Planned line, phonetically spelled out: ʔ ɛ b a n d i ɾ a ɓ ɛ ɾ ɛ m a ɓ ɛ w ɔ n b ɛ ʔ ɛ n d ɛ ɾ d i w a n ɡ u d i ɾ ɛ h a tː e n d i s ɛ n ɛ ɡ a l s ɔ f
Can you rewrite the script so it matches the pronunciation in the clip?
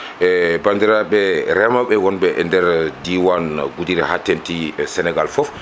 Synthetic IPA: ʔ ɛ b a n d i ɾ a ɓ ɛ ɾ ɛ m a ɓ ɛ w ɔ n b ɛ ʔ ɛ n d ɛ ɾ d i w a n ɡ u d i ɾ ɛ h a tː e n t i s ɛ n ɛ ɡ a l f ɔ f